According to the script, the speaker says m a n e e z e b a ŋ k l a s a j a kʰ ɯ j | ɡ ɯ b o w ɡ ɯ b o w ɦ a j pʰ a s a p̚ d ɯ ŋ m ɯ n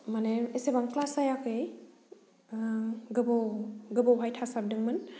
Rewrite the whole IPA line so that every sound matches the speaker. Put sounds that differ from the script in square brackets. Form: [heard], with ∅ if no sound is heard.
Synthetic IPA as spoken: m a n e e [s] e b a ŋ k l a s a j a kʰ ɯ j | ɡ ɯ b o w ɡ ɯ b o w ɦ a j [tʰ] a s a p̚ d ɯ ŋ m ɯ n

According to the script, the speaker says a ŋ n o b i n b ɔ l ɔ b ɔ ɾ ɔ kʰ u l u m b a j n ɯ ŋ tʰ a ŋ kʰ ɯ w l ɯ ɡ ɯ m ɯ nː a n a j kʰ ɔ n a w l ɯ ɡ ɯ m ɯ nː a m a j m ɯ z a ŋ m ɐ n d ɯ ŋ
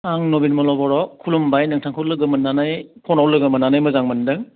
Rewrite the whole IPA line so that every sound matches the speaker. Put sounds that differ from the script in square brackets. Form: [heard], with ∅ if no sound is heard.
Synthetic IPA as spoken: a ŋ n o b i n [m] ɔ l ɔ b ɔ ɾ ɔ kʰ u l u m b a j n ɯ ŋ tʰ a ŋ kʰ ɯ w l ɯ ɡ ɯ m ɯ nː a n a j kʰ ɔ n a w l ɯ ɡ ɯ m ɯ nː a [n] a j m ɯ z a ŋ m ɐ n d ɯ ŋ

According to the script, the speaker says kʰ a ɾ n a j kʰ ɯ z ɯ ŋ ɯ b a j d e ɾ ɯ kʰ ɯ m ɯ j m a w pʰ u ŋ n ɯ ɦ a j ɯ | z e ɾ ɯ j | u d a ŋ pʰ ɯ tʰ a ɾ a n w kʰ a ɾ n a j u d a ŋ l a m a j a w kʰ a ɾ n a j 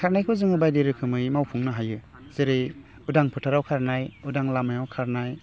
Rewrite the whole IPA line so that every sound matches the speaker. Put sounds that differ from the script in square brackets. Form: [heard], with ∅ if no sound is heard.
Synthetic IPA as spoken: kʰ a ɾ n a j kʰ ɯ z ɯ ŋ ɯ b a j d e ɾ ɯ kʰ ɯ m ɯ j m a w pʰ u ŋ n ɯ ɦ a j ɯ | z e ɾ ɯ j | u d a ŋ pʰ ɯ tʰ a ɾ a [∅] w kʰ a ɾ n a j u d a ŋ l a m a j a w kʰ a ɾ n a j

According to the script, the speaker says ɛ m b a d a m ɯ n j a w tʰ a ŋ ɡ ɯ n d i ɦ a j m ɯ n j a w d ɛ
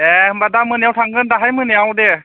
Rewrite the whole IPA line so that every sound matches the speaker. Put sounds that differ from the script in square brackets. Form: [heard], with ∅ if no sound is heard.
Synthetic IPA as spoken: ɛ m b a d a m ɯ n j a w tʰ a ŋ ɡ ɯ n d [a] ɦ a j m ɯ n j a w d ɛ

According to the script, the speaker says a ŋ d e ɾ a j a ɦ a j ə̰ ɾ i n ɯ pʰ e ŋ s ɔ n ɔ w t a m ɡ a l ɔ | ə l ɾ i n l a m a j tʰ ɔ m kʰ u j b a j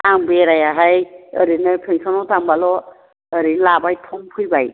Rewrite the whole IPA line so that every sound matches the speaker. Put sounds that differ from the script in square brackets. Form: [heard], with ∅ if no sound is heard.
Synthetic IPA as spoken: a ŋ [b] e ɾ a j a ɦ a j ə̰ ɾ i n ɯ pʰ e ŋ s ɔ n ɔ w t a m [b] a l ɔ | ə [∅] ɾ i n l a [b] a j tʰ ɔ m [pʰ] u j b a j

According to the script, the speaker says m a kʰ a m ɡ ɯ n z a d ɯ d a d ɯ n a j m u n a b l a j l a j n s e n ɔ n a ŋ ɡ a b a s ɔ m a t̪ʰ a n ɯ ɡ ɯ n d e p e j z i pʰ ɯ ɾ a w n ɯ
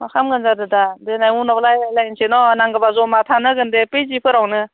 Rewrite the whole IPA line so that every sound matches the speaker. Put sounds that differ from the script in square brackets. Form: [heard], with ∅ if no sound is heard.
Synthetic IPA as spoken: m a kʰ a m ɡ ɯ n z a d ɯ d a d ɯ n a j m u n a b l a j l a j n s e n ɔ n a ŋ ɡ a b a [z] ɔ m a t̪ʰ a n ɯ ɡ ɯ n d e p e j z i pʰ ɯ ɾ a w n ɯ

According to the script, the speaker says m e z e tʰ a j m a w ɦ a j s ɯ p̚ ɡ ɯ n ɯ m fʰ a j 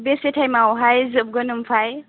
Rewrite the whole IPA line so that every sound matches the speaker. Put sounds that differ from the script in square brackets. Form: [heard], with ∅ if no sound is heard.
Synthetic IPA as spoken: [b] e [s] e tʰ a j m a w ɦ a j [z] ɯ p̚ ɡ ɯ n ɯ m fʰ a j

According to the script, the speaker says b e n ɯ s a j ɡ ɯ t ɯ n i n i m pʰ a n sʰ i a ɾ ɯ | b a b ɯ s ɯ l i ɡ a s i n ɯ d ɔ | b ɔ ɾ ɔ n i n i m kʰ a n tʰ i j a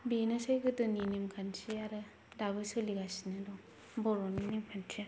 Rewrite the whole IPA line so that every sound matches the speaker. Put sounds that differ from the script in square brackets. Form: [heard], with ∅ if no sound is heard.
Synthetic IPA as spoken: b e n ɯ s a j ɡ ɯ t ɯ n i n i m [kʰ] a n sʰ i a ɾ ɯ | [d] a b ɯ s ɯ l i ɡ a s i n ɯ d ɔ | b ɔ ɾ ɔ n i n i m kʰ a n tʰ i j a

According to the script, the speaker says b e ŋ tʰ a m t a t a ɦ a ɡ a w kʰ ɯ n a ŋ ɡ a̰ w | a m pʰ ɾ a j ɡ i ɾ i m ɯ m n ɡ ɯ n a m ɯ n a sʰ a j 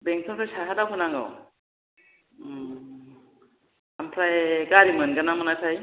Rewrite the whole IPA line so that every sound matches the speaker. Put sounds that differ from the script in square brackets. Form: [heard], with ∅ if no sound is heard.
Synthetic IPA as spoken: b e ŋ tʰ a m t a [s] a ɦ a [d] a w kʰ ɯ n a ŋ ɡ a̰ w | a m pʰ ɾ a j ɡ [a] ɾ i m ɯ [∅] n ɡ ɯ n a m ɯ n a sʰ a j

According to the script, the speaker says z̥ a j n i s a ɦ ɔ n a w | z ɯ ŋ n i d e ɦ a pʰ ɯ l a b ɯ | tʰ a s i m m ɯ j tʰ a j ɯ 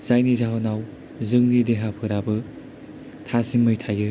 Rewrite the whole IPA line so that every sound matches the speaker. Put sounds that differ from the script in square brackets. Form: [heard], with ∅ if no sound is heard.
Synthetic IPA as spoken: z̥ a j n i [z] a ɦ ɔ n a w | z ɯ ŋ n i d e ɦ a pʰ ɯ [ɾ] a b ɯ | tʰ a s i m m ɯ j tʰ a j ɯ

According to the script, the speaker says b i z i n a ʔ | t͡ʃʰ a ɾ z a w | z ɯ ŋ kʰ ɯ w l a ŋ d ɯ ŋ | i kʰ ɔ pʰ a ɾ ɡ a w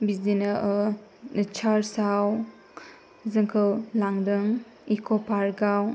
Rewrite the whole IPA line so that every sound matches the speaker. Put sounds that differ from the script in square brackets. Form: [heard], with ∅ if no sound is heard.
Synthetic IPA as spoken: b i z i n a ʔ | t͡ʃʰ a ɾ [s] a w | z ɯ ŋ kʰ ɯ w l a ŋ d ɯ ŋ | i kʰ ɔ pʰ a ɾ ɡ a w

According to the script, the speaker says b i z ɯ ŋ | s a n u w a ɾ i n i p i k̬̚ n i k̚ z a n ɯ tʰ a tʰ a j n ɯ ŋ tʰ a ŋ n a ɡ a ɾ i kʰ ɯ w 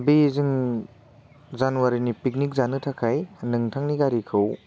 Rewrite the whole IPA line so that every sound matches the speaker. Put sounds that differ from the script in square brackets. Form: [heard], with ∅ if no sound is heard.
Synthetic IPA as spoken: b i z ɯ ŋ | [z] a n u w a ɾ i n i p i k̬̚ n i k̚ z a n ɯ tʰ a [kʰ] a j n ɯ ŋ tʰ a ŋ n [i] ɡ a ɾ i kʰ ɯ w

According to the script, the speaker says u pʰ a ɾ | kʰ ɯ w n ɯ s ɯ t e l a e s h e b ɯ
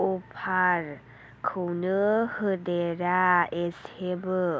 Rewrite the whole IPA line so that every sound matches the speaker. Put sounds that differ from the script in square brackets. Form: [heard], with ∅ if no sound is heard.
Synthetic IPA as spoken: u pʰ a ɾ | kʰ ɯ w n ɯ [h] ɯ [d] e [ɾ] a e s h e b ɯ

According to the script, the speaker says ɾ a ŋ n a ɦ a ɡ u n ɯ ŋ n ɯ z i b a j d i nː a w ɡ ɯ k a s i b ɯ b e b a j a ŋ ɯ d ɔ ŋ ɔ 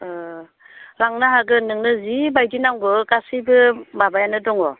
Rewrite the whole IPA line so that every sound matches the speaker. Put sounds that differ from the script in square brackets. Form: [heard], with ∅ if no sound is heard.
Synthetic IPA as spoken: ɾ a ŋ n a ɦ a ɡ [ɯ] n ɯ ŋ n ɯ z i b a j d i [n] a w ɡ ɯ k a s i b ɯ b [a] b a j a [n] ɯ d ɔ ŋ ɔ

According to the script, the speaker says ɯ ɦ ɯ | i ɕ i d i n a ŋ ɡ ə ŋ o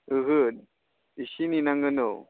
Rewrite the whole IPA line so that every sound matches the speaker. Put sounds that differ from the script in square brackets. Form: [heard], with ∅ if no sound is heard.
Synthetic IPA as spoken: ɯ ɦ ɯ | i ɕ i [n] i n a ŋ ɡ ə [n] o

